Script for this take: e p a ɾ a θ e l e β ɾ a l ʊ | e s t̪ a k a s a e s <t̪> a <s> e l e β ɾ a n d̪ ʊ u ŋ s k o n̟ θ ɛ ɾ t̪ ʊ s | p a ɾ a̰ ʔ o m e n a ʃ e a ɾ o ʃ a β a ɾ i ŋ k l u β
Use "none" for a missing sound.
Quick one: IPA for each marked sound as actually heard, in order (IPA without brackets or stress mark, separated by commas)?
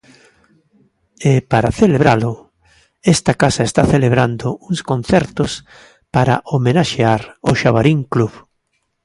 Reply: t̪, θ